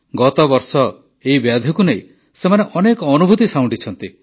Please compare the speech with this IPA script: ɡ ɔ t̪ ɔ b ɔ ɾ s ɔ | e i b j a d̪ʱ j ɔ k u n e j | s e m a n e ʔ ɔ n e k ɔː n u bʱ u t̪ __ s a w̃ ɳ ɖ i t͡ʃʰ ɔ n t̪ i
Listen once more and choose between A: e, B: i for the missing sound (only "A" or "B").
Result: B